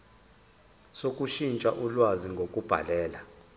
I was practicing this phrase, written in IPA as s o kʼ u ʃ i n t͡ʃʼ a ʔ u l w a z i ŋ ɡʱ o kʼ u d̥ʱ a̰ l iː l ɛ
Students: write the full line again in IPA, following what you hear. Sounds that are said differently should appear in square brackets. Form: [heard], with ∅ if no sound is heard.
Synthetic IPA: s o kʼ u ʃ i n t͡ʃʼ a ʔ u l w a z i ŋ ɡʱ o kʼ u [b̥ʱ] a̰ l [ɛː] l [a]